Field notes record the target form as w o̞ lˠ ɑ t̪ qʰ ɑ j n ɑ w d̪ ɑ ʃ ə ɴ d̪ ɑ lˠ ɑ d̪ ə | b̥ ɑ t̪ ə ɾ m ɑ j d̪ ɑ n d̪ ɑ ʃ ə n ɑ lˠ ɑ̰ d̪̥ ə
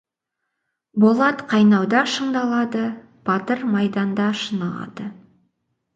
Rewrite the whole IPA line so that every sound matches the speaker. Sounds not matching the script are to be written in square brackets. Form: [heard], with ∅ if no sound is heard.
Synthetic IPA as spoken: [b] o̞ lˠ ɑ t̪ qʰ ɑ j n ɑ w d̪ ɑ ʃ ə ɴ d̪ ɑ lˠ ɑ d̪ ə | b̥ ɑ t̪ ə ɾ m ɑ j d̪ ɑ n d̪ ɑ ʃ ə n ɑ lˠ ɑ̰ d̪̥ ə